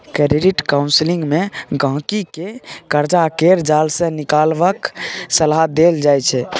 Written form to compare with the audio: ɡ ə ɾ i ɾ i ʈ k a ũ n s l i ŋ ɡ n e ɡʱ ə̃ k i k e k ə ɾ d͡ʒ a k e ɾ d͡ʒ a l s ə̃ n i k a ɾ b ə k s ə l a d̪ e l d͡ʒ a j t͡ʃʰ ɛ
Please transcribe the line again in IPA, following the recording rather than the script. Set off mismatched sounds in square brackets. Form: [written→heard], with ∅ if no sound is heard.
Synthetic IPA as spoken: [ɡ→k] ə ɾ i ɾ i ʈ k a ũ n s l i ŋ ɡ [n→m] e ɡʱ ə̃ k i k e k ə ɾ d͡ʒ a k e ɾ d͡ʒ a l s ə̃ n i k a [ɾ→l] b ə k s ə l a d̪ e l d͡ʒ a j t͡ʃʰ ɛ